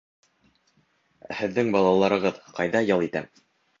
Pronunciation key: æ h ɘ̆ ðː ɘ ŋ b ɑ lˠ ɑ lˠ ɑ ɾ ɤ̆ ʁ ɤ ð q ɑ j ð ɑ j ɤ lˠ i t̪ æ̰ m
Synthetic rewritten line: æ h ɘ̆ ðː ɘ ŋ b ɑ lˠ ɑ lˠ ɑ ɾ ɤ̆ ʁ ɤ ð q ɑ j ð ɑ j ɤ lˠ i t̪ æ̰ m